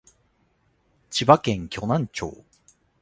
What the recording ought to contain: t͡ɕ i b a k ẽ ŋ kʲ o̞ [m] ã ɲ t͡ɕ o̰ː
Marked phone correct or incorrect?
incorrect